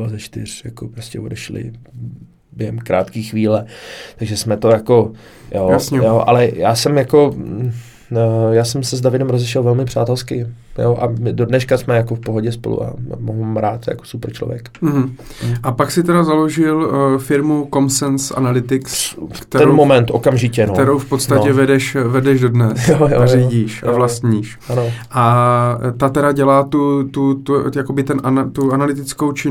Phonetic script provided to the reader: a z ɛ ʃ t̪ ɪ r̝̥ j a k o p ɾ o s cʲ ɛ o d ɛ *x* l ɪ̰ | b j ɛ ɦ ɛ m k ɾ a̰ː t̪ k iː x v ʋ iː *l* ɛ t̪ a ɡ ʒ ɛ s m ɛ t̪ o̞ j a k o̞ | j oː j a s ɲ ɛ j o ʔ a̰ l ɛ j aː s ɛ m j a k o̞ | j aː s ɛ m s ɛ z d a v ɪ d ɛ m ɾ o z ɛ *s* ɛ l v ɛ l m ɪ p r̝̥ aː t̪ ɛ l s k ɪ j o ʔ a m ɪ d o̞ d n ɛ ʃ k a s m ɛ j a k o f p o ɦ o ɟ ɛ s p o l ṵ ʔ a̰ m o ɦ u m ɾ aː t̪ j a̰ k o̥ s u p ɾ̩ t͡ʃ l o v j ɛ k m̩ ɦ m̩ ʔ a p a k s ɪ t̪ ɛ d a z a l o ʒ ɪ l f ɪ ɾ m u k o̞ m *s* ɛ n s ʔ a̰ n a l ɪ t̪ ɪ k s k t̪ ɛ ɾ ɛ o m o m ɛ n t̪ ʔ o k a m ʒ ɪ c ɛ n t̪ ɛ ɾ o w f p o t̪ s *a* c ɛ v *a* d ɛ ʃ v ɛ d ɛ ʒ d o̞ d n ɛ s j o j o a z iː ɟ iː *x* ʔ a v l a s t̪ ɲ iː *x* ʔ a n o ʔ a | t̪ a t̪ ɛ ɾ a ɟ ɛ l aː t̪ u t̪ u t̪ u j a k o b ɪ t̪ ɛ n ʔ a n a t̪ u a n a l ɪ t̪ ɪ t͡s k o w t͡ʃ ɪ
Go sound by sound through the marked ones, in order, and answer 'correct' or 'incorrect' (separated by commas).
incorrect, correct, incorrect, correct, correct, incorrect, incorrect, incorrect